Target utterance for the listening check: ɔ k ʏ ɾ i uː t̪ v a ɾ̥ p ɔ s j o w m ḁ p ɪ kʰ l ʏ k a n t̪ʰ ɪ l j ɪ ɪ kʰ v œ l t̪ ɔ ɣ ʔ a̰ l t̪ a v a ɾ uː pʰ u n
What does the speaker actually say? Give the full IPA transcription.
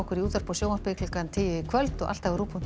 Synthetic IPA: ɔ k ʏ ɾ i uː t̪ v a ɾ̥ p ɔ s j o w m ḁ p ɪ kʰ l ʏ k a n t̪ʰ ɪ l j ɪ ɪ kʰ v œ l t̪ ɔ ɣ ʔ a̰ l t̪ a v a ɾ uː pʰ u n